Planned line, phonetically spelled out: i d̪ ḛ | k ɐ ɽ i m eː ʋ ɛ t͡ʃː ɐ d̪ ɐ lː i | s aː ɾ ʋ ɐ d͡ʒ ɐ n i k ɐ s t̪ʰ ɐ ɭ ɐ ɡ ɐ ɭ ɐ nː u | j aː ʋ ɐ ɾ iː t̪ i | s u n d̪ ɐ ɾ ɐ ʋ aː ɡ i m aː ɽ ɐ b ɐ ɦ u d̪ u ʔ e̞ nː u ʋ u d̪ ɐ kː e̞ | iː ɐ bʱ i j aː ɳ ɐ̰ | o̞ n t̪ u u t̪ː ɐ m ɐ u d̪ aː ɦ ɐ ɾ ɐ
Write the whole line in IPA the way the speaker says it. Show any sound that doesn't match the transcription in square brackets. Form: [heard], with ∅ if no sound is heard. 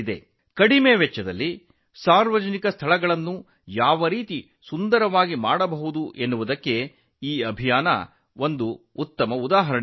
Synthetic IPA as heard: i d̪ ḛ | k ɐ ɽ i m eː ʋ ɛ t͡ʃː ɐ d̪ ɐ lː i | s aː ɾ ʋ ɐ d͡ʒ ɐ n i k ɐ s t̪ʰ ɐ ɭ ɐ ɡ ɐ ɭ ɐ nː u | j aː ʋ ɐ ɾ iː t̪ i | s u n d̪ ɐ ɾ ɐ ʋ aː ɡ i m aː ɽ ɐ b ɐ ɦ u d̪ u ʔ e̞ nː u ʋ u d̪ ɐ kː e̞ | iː ɐ bʱ i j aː [n] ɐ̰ | o̞ n [d̪] u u t̪ː ɐ m ɐ u d̪ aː ɦ ɐ ɾ ɐ